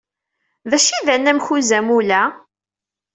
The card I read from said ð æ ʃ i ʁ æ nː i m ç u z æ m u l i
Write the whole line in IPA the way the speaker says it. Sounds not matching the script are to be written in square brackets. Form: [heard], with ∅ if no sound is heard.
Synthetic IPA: ð æ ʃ i [ð] æ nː [æ] m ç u z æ m u l [æ]